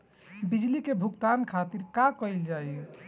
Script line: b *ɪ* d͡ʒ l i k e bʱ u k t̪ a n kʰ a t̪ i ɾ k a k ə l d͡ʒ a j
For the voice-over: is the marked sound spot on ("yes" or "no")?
no